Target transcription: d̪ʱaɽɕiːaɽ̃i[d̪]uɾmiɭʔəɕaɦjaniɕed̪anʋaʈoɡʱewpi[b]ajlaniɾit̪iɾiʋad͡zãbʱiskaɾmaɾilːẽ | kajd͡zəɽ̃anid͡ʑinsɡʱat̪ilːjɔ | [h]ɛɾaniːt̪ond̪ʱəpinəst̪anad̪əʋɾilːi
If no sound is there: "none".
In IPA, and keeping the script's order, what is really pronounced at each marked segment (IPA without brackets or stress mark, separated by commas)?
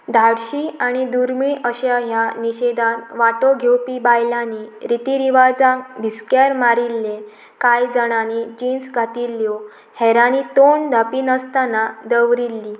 d̪, b, h